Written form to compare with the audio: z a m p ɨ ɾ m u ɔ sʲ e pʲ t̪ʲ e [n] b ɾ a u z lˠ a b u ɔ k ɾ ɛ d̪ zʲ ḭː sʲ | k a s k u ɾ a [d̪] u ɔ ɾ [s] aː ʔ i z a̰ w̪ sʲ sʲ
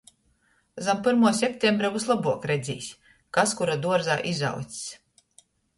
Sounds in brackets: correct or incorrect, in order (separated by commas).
incorrect, correct, incorrect